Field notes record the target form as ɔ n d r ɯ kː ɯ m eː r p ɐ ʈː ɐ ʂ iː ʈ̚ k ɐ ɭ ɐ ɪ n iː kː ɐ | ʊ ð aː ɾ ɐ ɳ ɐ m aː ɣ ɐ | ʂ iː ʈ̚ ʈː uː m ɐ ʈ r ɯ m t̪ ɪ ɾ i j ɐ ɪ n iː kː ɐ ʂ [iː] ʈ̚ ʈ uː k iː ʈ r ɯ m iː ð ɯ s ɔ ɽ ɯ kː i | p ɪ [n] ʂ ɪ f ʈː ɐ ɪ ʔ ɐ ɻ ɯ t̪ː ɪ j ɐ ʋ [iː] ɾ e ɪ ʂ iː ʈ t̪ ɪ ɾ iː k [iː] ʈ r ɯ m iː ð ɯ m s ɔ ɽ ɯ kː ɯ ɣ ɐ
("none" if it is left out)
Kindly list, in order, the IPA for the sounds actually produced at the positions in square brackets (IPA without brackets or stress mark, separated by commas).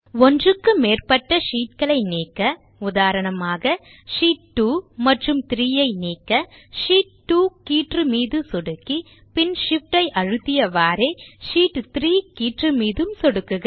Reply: iː, n, aː, iː